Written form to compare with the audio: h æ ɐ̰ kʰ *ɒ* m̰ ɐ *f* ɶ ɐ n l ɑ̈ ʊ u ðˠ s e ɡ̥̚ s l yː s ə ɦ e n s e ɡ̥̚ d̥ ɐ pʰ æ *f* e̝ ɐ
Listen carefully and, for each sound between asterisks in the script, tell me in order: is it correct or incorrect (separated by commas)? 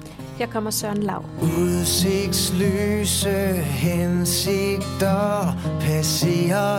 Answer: correct, incorrect, incorrect